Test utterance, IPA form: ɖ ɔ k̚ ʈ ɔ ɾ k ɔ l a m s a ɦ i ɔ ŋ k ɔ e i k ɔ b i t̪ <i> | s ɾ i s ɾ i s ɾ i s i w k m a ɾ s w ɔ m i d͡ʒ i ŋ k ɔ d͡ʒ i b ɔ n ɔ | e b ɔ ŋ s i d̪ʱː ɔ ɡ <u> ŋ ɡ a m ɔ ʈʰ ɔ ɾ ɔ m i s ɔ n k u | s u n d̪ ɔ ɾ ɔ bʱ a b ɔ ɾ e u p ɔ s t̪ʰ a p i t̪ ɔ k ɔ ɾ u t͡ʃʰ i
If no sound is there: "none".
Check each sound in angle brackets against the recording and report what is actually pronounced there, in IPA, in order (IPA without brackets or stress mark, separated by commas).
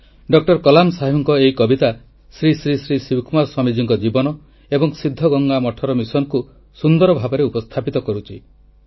a, ɔ